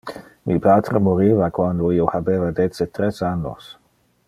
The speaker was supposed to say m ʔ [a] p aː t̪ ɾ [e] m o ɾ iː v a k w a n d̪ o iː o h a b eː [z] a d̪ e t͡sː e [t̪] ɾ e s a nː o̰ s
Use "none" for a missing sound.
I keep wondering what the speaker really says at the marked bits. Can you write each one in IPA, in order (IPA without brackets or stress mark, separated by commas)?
i, e, v, t̪